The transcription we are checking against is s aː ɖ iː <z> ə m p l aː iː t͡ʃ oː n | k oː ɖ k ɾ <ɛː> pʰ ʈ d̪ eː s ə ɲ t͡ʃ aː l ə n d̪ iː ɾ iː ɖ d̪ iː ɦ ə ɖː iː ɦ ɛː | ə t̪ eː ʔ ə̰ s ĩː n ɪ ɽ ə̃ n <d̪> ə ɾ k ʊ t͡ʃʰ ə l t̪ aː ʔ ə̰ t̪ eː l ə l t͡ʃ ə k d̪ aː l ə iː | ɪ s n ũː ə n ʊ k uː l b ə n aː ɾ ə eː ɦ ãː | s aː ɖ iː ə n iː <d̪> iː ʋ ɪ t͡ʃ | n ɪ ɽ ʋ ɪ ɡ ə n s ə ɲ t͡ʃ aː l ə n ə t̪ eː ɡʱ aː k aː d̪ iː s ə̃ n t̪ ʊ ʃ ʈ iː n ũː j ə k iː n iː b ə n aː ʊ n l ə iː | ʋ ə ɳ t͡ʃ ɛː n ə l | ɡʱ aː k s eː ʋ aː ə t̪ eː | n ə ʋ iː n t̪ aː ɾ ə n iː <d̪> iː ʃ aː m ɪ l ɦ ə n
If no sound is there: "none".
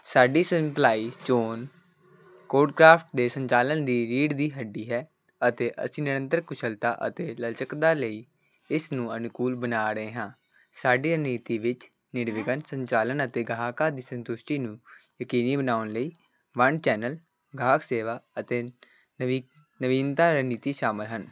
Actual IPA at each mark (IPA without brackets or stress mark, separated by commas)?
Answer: s, aː, t̪, t̪, t̪